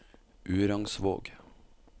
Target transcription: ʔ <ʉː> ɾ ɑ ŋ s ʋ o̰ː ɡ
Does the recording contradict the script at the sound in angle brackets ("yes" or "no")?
no